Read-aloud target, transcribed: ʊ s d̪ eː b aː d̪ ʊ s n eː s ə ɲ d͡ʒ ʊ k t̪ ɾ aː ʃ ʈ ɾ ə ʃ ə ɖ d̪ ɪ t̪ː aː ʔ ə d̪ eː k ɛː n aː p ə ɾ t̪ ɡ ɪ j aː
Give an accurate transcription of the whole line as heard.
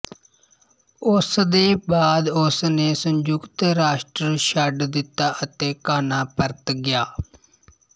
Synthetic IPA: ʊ s d̪ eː b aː d̪ ʊ s n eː s ə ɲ d͡ʒ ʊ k t̪ ɾ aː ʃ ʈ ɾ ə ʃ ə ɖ d̪ ɪ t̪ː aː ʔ ə t̪ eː k aː n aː p ə ɾ t̪ ɡ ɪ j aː